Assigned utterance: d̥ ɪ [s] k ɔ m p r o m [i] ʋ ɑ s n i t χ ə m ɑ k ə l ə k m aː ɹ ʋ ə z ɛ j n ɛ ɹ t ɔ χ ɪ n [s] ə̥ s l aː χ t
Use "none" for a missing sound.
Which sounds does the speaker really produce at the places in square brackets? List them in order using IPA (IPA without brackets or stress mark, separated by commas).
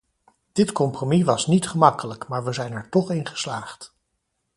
t, i, χ